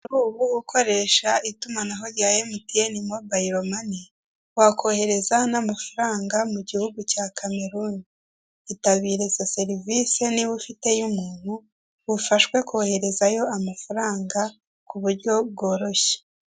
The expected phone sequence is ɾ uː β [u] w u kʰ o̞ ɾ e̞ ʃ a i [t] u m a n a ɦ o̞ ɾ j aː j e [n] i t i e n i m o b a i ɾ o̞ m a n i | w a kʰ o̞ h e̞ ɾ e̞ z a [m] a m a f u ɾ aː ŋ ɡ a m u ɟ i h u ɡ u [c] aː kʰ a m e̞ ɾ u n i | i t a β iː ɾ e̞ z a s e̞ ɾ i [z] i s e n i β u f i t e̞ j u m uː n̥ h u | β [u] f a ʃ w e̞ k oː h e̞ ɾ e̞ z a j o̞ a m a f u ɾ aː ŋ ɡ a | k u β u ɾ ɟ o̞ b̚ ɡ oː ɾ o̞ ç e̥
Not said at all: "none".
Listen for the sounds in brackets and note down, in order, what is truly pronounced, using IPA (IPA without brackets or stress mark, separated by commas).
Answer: u, t, m, n, c, v, u